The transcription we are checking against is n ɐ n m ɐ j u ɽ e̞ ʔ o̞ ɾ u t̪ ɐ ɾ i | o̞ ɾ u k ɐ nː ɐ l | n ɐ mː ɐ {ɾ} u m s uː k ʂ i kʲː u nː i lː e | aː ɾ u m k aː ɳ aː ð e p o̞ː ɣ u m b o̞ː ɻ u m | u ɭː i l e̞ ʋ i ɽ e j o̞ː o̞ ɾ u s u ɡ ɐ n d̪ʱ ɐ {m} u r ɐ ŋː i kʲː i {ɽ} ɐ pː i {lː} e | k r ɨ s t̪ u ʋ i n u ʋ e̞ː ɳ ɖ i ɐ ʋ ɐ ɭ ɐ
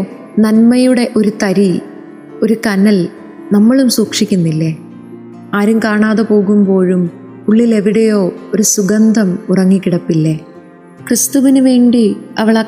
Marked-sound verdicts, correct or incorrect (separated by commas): incorrect, correct, correct, correct